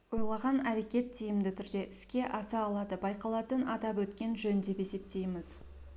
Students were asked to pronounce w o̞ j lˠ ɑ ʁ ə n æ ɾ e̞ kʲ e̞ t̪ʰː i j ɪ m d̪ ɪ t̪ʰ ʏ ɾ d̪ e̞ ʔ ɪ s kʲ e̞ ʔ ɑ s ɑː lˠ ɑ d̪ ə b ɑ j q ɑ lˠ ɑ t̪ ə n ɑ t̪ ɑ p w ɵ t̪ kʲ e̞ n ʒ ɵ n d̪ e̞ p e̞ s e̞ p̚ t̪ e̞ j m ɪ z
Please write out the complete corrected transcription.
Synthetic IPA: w o̞ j lˠ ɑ ʁ ɑ n æ ɾ e̞ kʲ e̞ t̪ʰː i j ɪ m d̪ ɪ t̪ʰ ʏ ɾ d̪ e̞ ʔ ɪ s kʲ e̞ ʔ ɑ s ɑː lˠ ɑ d̪ ə b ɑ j q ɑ lˠ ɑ t̪ ə n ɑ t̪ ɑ p w ɵ t̪ kʲ e̞ n ʒ ɵ n d̪ e̞ p e̞ s e̞ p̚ t̪ e̞ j m ɪ z